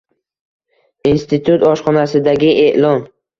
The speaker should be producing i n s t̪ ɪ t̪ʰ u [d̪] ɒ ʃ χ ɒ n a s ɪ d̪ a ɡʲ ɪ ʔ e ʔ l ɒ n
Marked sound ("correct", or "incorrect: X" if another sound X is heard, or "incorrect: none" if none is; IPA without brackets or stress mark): incorrect: t̪